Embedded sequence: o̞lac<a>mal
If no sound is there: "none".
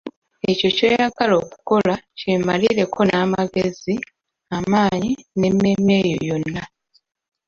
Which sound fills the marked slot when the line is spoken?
e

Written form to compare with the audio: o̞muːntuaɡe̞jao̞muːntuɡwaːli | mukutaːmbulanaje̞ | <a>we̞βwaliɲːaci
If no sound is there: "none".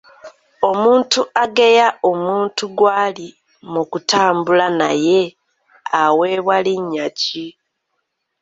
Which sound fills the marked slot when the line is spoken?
a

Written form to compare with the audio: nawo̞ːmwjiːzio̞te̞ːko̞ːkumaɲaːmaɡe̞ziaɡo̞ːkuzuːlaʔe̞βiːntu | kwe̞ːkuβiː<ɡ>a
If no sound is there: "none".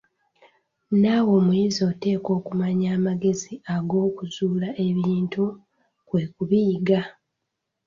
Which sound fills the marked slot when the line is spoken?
ɡ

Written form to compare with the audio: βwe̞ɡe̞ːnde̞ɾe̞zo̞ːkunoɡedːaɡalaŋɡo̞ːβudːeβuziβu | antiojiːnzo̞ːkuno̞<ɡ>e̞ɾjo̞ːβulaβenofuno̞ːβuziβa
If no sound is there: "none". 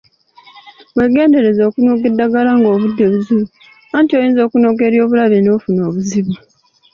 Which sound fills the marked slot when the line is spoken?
ɡ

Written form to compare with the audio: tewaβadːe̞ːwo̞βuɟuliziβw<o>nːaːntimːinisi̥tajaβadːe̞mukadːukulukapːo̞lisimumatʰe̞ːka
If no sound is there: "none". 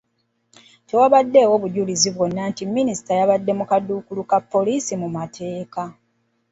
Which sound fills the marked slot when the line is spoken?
o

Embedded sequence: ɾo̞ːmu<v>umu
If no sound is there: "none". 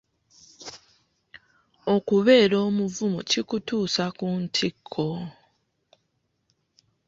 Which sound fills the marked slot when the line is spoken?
v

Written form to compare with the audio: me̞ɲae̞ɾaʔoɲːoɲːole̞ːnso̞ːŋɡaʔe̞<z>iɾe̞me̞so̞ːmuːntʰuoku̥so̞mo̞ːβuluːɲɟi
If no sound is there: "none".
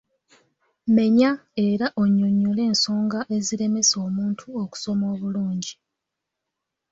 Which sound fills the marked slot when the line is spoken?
z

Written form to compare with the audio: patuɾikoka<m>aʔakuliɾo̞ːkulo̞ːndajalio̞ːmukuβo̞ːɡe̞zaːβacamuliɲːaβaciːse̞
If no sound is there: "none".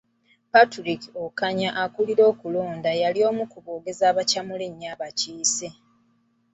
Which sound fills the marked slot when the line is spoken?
ɲ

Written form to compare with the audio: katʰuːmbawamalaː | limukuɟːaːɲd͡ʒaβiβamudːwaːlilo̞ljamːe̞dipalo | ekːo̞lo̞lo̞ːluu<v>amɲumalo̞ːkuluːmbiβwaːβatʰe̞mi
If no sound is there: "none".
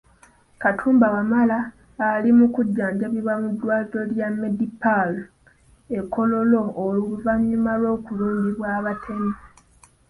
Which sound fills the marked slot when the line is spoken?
v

